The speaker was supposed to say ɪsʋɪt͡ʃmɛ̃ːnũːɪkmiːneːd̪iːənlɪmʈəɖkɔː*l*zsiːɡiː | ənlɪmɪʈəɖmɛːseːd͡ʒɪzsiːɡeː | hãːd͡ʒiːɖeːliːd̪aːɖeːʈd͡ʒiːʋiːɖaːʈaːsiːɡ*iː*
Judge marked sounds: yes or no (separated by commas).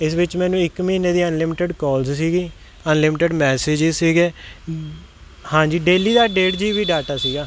yes, no